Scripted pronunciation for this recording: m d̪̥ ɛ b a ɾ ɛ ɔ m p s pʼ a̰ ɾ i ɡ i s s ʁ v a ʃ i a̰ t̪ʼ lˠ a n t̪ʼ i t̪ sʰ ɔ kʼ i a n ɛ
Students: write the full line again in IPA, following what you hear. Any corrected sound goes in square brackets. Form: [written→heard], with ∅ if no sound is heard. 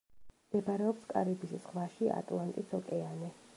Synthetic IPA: m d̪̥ ɛ b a ɾ ɛ ɔ [m→∅] p s [pʼ→kʼ] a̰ ɾ i [ɡ→b] i s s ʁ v a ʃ i a̰ t̪ʼ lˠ a n t̪ʼ i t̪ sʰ ɔ kʼ [i→ɛ] a n ɛ